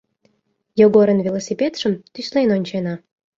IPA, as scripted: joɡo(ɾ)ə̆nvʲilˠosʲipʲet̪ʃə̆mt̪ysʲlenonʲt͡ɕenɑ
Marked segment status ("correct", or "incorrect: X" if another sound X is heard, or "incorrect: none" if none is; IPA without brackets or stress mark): correct